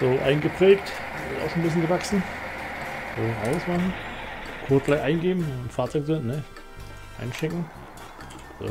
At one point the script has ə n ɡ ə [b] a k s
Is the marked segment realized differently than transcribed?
yes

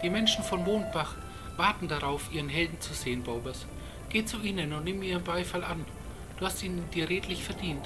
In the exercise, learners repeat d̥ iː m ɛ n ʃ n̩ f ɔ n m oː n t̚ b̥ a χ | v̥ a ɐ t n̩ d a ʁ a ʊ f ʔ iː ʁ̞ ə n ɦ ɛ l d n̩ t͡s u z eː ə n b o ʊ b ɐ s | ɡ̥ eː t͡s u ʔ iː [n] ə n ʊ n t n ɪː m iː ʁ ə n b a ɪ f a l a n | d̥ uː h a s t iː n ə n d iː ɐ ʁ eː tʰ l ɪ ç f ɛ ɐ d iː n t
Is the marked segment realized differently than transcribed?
no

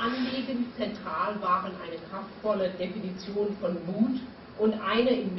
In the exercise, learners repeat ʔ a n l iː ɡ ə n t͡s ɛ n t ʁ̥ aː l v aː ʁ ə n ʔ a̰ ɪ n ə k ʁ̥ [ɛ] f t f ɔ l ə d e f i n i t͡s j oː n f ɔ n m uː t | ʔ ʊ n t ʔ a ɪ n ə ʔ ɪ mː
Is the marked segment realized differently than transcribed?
yes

